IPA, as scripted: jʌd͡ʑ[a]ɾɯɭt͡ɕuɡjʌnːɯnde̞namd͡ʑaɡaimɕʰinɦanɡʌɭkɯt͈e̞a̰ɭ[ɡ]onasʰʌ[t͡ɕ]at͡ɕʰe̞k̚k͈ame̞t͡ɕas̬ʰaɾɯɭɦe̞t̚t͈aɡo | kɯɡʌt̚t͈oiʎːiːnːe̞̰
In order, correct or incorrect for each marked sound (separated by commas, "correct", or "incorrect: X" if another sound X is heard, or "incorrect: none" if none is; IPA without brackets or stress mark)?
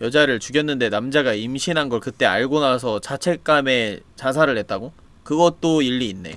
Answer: correct, correct, correct